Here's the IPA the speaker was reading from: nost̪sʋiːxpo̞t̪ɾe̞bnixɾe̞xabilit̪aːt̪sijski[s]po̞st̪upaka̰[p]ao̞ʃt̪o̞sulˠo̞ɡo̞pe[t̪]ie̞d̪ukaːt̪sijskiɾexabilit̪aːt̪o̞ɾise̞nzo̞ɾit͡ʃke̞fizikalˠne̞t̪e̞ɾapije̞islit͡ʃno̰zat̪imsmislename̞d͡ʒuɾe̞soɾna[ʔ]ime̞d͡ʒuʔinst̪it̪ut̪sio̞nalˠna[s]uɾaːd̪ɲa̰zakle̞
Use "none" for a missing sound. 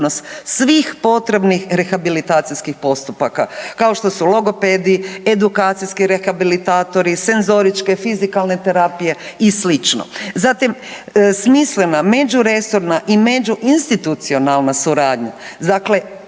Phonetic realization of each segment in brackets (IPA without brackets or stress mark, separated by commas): x, k, d̪, ʔ, s